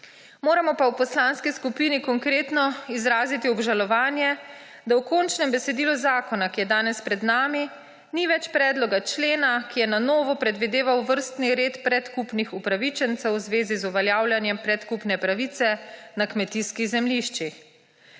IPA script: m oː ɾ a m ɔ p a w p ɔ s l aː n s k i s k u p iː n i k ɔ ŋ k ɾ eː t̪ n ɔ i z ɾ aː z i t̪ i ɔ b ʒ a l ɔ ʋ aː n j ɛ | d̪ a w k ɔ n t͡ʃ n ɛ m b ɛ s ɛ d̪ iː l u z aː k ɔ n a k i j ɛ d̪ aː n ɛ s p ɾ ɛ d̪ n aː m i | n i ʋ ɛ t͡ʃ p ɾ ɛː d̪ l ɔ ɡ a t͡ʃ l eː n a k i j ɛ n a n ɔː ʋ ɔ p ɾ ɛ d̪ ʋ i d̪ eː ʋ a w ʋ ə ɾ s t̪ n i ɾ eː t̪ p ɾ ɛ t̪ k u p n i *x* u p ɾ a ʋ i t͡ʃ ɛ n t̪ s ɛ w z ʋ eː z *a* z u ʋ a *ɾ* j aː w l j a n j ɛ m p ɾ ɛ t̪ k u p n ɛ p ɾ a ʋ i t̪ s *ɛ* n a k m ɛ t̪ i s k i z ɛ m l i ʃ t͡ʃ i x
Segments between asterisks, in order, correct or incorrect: correct, incorrect, incorrect, correct

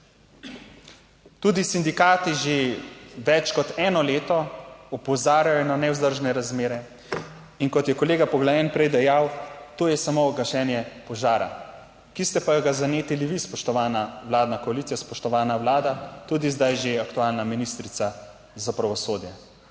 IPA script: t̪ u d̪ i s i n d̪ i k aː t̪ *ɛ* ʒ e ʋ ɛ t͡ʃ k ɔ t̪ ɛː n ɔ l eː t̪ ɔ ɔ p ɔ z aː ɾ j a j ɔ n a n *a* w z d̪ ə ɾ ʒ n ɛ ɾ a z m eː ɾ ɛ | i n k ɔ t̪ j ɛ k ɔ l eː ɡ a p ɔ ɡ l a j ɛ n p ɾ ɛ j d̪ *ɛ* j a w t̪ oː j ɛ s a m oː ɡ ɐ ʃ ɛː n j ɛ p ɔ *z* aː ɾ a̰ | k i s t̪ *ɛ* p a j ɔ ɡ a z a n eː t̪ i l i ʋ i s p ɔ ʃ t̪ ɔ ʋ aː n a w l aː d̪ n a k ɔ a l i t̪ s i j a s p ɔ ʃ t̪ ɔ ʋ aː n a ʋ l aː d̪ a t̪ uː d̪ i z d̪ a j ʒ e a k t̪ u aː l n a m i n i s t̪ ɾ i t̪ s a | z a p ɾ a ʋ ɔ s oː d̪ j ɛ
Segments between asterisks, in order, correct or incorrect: incorrect, incorrect, correct, incorrect, correct

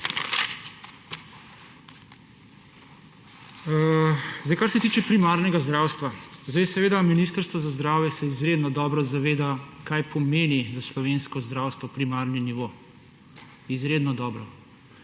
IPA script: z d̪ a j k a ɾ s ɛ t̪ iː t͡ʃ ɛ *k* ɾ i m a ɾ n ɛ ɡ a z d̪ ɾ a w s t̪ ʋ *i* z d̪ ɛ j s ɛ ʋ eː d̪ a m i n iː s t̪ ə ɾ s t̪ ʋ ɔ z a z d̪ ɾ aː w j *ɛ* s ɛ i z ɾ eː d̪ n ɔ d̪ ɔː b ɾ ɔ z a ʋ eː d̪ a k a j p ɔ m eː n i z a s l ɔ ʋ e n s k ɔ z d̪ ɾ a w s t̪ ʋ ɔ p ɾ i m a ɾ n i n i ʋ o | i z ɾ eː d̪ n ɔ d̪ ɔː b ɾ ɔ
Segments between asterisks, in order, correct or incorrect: incorrect, incorrect, correct

